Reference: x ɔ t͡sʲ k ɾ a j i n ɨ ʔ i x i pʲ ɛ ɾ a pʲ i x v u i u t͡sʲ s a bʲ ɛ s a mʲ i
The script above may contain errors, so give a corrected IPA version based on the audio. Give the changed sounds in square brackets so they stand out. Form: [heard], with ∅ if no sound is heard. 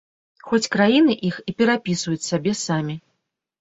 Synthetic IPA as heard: x ɔ t͡sʲ k ɾ a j i n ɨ ʔ i x i pʲ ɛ ɾ a pʲ i [s] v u [j] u t͡sʲ s a bʲ ɛ s a mʲ i